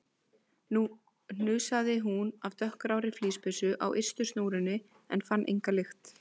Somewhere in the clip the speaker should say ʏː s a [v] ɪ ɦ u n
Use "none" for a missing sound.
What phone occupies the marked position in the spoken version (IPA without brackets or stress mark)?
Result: ð